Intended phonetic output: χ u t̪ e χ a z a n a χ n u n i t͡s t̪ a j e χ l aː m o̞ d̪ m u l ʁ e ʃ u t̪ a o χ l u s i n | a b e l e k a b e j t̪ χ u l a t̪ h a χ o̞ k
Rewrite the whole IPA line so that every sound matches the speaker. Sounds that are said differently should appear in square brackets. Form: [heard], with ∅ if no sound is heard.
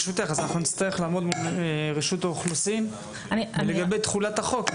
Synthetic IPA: [ʃ] u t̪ e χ a z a n a χ n u n i t͡s t̪ a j e χ l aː m o̞ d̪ m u l ʁ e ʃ u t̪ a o χ l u s i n | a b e l e [ɡ] a b e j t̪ χ u l a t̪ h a χ o̞ k